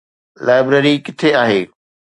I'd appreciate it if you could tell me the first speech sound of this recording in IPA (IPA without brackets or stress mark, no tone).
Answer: l